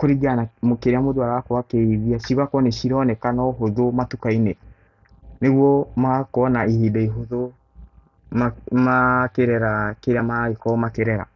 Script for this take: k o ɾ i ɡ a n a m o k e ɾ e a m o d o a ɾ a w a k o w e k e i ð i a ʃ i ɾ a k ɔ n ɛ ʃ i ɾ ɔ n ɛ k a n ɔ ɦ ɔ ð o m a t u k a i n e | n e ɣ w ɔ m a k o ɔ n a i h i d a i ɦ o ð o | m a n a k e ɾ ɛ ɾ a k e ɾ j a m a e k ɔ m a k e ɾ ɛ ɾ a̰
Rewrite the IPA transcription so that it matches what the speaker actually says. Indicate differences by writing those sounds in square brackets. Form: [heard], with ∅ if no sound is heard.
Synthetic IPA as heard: k o ɾ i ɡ a n a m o k e ɾ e a m o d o a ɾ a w a k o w [a] k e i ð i a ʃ i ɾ a k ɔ n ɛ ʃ i ɾ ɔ n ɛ k a n ɔ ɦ [o] ð o m a t u k a i n e | n e ɣ w ɔ m a k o ɔ n a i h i d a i ɦ o ð o | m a [m] a k e ɾ ɛ ɾ a k e ɾ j a m a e k ɔ m a k e ɾ ɛ ɾ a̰

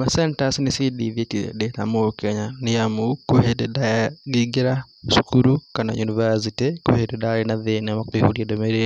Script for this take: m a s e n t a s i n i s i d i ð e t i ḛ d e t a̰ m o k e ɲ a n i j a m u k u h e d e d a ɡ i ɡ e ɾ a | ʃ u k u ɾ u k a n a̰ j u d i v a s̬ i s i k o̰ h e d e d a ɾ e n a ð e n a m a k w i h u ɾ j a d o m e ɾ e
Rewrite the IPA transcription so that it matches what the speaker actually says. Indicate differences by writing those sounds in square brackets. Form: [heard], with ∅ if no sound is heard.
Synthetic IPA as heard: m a s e n t a s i n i s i d i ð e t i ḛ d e t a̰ m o k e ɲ a n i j a m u k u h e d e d a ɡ i ɡ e ɾ a | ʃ u k u ɾ u k a n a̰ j u [n] i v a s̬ i [t] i k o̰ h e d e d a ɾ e n a ð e n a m a k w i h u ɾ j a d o m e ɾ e

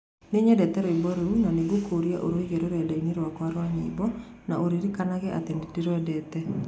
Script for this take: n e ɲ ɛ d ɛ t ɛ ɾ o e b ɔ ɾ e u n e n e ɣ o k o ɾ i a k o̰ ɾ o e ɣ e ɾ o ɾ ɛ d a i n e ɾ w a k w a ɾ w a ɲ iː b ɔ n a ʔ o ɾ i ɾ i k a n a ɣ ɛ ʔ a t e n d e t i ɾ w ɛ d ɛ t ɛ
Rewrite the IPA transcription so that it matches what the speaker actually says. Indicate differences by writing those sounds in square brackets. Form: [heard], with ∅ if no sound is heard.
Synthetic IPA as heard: n e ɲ ɛ d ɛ t ɛ ɾ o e b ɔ ɾ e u n [a] n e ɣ o k o ɾ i a [ʔ] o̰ ɾ o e ɣ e ɾ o ɾ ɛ d a i n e ɾ w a k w a ɾ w a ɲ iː b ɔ n a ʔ o ɾ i ɾ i k a n a ɣ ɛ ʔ a t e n d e t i ɾ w ɛ d ɛ t ɛ

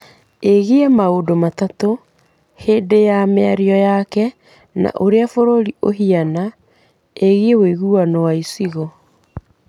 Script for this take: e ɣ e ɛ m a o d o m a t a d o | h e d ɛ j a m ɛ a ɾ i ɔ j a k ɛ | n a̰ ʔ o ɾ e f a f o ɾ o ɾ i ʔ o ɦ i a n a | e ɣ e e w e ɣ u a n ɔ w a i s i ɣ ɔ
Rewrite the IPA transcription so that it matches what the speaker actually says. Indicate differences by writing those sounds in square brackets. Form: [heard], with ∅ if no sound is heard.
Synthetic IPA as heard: e ɣ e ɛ m a o d o m a t a [t] o | h e d [e] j a m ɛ a ɾ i ɔ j a k ɛ | n a̰ ʔ o ɾ e [∅] a f o ɾ o ɾ i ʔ o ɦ i a n a | e ɣ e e w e ɣ u a n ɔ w a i s i ɣ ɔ

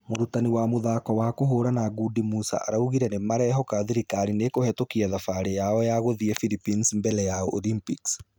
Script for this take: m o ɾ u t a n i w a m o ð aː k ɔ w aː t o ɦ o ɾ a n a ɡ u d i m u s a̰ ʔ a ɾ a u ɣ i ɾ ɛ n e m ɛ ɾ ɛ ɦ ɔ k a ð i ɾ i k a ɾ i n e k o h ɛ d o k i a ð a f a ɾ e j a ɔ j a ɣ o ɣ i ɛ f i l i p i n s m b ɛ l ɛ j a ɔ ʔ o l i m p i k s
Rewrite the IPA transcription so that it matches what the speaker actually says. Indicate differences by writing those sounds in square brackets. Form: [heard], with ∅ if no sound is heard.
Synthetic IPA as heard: m o ɾ u t a n i w a m o ð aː k ɔ w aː [k] o ɦ o ɾ a n a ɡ u d i m u s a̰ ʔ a ɾ a u ɣ i ɾ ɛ n e m [a] ɾ ɛ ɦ ɔ k a ð i ɾ i k a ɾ i n e k o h ɛ [t] o k i a ð a f a ɾ e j a ɔ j a ɣ o [ð] i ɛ f i l i p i n s m b ɛ l ɛ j a ɔ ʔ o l i m p i k s

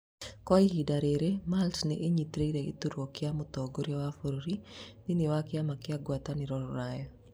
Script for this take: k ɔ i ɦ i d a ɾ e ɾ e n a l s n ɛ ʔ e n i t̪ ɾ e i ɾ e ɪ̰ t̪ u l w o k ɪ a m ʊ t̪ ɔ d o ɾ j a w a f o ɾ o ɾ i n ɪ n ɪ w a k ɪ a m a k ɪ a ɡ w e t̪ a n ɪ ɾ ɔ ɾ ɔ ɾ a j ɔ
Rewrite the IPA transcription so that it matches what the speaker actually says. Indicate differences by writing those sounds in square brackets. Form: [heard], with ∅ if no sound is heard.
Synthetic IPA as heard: k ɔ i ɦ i d a ɾ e ɾ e [m] a l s n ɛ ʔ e [ɲ] i t̪ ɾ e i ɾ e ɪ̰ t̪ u [ɾ] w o k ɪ a m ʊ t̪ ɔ [ɡ] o ɾ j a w a f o ɾ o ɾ i n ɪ n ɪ w a k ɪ a m a k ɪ a ɡ w [a] t̪ a n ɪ ɾ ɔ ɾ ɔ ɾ a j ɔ

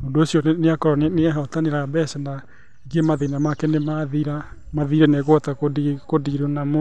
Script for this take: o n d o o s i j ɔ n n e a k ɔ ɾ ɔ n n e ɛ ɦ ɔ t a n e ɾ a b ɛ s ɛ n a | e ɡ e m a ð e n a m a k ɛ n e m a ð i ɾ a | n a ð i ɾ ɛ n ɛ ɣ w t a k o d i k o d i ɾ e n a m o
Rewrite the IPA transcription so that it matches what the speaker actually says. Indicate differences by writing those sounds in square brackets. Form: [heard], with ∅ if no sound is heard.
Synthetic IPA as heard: o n d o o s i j ɔ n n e a k ɔ ɾ ɔ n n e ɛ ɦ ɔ t a n e ɾ a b ɛ s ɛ n a | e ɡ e m a ð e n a m a k ɛ n e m a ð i ɾ a | [m] a ð i ɾ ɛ n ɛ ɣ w t a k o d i k o d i ɾ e n a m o

